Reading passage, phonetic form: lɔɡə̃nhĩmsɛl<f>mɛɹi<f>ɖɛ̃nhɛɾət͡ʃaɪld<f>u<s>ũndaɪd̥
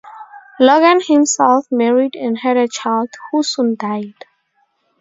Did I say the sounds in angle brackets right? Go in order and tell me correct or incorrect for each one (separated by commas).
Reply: correct, incorrect, incorrect, correct